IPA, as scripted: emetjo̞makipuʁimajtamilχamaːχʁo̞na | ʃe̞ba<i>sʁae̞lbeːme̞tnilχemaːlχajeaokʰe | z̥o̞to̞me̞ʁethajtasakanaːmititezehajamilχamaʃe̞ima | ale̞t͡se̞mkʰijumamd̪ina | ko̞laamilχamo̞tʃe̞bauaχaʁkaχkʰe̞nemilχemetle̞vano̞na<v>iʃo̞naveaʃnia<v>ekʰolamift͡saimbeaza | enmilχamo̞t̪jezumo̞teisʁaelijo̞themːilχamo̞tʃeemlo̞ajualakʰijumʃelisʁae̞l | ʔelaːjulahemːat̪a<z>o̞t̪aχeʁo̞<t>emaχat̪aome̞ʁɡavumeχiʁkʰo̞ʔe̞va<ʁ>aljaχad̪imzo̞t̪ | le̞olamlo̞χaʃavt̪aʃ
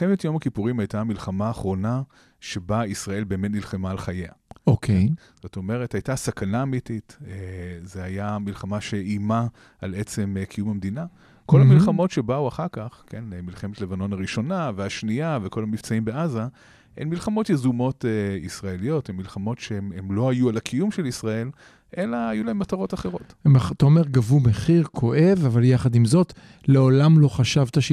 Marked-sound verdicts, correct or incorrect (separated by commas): correct, incorrect, correct, incorrect, correct, incorrect